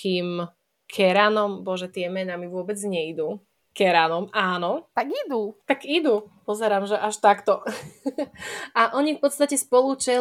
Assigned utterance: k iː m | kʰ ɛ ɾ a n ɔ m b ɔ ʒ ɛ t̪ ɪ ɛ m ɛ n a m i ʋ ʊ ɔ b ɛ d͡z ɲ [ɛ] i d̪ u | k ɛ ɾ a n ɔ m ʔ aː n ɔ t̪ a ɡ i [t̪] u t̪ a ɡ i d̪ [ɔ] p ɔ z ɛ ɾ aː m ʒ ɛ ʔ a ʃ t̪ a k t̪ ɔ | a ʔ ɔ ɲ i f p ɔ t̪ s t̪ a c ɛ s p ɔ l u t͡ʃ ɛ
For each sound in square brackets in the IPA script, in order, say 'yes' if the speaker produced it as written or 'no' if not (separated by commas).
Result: yes, no, no